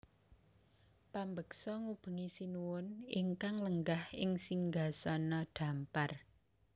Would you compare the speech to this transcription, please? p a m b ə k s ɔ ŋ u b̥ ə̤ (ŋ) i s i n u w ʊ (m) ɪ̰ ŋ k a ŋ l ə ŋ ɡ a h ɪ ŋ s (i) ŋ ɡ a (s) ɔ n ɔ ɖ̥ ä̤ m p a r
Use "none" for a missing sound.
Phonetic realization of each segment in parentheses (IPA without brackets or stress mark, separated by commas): ŋ, n, i, s